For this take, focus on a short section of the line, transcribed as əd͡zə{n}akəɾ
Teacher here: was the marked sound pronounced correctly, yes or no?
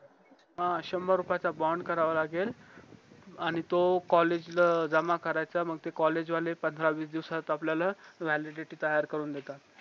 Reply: no